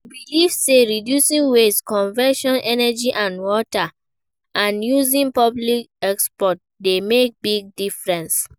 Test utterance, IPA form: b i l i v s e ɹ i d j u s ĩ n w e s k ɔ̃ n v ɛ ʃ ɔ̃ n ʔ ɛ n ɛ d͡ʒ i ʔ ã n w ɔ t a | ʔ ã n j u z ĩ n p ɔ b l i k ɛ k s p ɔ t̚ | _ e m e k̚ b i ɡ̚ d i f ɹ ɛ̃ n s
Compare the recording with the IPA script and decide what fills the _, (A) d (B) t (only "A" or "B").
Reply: A